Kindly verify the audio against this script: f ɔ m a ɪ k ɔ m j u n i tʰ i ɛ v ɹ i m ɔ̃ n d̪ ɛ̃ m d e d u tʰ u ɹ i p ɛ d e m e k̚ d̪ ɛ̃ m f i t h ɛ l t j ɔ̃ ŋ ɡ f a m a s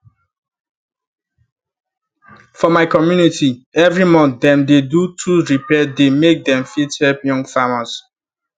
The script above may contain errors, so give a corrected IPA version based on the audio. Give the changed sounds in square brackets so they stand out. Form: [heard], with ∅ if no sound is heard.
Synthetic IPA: f ɔ m a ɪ k ɔ m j u n i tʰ i ɛ v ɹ i m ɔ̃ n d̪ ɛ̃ m d e d u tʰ u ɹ i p ɛ d e m e k̚ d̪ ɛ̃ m f i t h ɛ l [p] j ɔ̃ ŋ ɡ f a m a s